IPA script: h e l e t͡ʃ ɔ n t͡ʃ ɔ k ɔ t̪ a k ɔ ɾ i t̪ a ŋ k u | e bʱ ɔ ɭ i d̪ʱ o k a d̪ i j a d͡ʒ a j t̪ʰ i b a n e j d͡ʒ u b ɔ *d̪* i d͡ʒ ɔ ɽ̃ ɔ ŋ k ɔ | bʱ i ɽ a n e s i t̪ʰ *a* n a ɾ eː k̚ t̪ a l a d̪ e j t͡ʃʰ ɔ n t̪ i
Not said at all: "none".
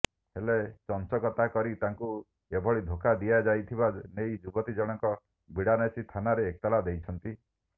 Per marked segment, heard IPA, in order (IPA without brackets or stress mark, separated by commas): t̪, a